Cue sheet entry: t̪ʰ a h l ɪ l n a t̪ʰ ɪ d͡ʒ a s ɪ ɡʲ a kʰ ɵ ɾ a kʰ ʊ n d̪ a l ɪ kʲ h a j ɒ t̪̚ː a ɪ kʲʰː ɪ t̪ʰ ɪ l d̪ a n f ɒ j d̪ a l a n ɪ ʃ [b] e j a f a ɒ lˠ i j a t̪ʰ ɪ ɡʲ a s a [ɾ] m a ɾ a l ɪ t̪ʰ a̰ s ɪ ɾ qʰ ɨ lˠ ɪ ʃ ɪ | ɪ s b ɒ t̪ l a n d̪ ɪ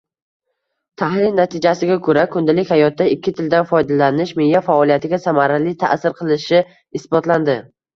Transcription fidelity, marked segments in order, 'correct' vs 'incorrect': incorrect: m, incorrect: none

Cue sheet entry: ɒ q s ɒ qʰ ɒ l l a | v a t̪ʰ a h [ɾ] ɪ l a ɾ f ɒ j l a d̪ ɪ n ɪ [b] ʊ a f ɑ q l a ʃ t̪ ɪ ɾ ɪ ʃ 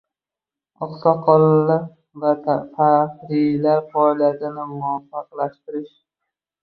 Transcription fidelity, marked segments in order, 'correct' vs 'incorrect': correct, incorrect: m

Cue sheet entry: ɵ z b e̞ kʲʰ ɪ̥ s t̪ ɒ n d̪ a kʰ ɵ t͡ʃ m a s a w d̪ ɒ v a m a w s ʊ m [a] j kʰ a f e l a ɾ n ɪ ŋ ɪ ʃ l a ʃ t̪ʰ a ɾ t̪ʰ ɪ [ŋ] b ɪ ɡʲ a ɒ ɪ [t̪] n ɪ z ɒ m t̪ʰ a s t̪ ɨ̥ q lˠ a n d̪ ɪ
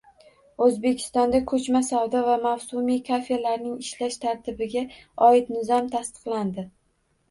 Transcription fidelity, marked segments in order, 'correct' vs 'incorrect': incorrect: i, incorrect: none, correct

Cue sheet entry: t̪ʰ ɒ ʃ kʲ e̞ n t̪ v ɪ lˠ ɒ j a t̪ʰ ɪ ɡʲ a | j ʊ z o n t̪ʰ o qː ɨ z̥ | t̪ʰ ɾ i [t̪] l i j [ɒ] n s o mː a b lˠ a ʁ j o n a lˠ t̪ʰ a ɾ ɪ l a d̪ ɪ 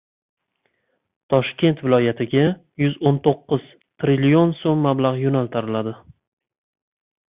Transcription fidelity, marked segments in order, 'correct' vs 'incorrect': incorrect: none, incorrect: o

